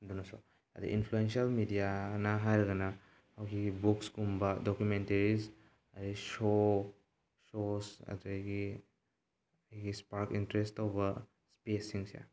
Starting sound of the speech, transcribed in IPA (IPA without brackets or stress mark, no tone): d